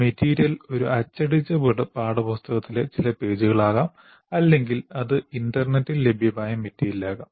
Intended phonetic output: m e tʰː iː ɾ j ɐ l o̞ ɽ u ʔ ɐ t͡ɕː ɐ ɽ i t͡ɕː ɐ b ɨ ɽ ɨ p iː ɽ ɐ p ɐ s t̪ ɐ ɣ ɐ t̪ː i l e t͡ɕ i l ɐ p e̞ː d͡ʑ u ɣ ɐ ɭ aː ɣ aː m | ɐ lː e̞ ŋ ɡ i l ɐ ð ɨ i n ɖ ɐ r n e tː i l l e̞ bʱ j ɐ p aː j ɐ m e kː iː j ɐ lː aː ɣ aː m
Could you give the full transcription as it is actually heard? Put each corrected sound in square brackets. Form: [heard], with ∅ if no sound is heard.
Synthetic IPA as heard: m e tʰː iː ɾ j ɐ l o̞ [ɾ] u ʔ ɐ t͡ɕː ɐ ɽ i t͡ɕː ɐ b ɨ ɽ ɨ p [aː] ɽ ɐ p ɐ s t̪ ɐ ɣ ɐ t̪ː i l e t͡ɕ i l ɐ p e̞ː d͡ʑ u ɣ ɐ ɭ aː ɣ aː m | ɐ lː e̞ ŋ ɡ i l ɐ ð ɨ i n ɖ ɐ r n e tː i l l e̞ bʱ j ɐ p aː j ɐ m e [tː] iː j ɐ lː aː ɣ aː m